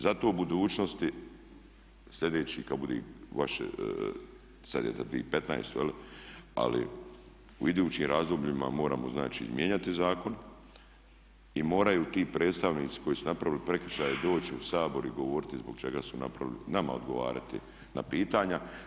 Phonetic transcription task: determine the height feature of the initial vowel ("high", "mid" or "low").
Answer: low